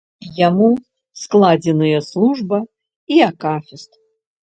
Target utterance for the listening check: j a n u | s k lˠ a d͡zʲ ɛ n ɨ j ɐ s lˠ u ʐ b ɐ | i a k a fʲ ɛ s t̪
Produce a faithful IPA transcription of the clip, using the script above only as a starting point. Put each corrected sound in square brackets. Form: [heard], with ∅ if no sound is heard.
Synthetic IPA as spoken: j a [m] u | s k lˠ a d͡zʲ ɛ n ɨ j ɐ s lˠ u ʐ b ɐ | i a k a fʲ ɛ s t̪